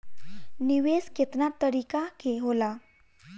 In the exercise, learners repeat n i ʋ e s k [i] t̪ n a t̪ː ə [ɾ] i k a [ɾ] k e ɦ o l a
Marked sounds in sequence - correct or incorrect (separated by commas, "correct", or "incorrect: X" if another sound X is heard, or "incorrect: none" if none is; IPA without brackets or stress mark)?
incorrect: e, correct, incorrect: none